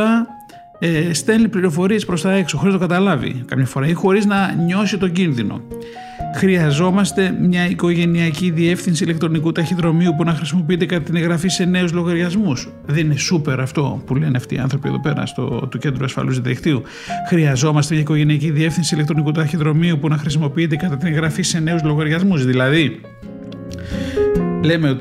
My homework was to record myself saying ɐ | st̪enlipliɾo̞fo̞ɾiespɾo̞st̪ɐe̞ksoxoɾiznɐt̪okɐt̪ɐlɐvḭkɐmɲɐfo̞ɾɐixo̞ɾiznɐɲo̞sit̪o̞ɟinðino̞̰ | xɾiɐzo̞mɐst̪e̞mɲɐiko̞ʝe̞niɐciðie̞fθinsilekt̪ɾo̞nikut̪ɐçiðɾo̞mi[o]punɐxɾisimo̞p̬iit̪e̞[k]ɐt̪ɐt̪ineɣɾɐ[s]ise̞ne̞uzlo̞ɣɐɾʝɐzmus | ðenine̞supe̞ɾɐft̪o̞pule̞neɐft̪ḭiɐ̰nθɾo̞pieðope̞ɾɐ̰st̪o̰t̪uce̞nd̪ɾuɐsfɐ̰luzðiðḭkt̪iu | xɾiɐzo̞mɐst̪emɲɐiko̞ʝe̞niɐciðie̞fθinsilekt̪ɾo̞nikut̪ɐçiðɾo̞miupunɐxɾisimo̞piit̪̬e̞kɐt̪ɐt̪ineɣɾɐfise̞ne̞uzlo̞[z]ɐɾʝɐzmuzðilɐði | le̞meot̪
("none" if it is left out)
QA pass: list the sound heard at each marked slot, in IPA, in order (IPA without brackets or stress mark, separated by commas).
u, k, f, ɣ